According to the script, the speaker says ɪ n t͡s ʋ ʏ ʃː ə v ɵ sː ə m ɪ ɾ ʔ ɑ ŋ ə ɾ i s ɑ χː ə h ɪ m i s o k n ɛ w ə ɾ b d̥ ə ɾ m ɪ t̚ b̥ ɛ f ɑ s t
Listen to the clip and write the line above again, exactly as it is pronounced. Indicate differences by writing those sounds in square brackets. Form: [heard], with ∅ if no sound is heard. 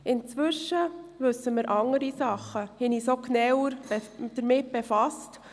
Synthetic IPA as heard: ɪ n t͡s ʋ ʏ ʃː ə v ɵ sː ə m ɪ ɾ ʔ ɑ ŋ ə ɾ i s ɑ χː ə h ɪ [n] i s o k n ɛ w ə ɾ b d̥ ə ɾ m ɪ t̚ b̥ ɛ f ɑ s t